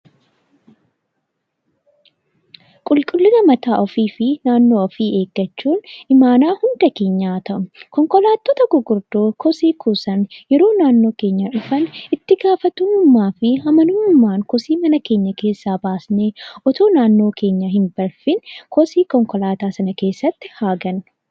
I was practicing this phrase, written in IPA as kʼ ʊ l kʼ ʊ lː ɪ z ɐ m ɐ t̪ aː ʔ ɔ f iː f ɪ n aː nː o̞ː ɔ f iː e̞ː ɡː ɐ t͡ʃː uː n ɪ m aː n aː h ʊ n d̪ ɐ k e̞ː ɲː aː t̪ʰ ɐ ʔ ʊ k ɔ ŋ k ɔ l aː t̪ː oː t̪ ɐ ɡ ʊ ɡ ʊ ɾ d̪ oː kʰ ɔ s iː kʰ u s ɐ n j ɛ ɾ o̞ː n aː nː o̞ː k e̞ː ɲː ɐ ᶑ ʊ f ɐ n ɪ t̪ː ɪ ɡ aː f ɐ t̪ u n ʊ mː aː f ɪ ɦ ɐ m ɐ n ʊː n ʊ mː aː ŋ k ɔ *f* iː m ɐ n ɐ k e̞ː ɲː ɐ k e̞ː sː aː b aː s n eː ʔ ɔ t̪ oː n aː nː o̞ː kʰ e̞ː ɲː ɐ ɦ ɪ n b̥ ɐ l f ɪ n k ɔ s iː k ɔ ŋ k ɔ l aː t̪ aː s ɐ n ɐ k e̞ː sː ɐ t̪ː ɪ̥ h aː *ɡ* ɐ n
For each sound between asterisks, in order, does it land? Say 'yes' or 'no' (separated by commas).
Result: no, yes